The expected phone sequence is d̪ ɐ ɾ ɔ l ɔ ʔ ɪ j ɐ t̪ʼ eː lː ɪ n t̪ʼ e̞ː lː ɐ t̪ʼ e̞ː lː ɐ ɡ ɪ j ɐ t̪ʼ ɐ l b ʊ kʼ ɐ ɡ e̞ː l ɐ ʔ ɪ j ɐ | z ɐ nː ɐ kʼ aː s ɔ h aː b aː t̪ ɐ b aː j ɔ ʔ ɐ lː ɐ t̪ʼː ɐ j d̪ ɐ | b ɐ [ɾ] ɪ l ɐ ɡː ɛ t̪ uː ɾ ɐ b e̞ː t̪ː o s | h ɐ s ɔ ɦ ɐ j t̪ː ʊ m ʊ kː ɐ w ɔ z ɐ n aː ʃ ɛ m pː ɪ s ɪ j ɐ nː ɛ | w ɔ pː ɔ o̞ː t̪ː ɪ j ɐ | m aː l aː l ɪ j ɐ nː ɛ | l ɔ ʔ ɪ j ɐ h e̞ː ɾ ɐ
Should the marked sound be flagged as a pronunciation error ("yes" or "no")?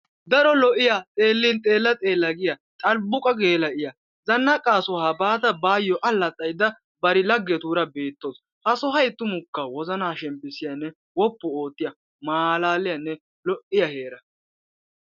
no